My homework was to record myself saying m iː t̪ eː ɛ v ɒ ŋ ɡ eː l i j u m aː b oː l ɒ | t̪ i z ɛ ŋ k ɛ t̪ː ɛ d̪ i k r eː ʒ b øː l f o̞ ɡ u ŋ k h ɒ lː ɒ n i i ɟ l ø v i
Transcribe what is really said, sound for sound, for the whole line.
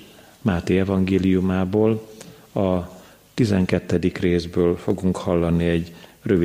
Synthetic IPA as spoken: m aː t̪ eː ɛ v ɒ ŋ ɡ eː l i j u m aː b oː l ɒ | t̪ i z ɛ ŋ k ɛ t̪ː ɛ d̪ i k r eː z b øː l f o̞ ɡ u ŋ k h ɒ lː ɒ n i ɛ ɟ r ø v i